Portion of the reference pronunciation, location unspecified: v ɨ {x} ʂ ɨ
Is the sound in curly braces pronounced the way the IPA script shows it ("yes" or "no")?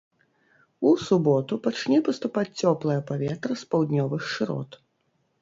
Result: yes